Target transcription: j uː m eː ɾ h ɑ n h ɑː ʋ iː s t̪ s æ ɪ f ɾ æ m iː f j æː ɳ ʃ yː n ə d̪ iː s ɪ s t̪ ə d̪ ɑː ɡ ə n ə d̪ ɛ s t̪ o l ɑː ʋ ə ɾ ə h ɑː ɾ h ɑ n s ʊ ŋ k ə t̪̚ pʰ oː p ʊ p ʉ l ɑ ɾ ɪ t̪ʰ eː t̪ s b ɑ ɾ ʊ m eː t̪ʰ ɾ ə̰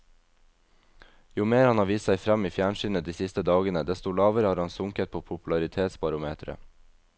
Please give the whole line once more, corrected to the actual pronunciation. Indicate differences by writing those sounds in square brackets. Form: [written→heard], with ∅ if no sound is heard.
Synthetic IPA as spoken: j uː m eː ɾ h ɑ n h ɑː ʋ iː s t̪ s æ ɪ f ɾ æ m iː f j æː ɳ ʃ yː n ə d̪ iː s ɪ s t̪ ə d̪ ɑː ɡ ə n ə d̪ ɛ s t̪ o l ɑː ʋ ə ɾ ə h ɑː ɾ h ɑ n s ʊ ŋ k ə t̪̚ pʰ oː [p→pʰ] ʊ p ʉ l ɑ ɾ ɪ t̪ʰ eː t̪ s b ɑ ɾ ʊ m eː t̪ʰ ɾ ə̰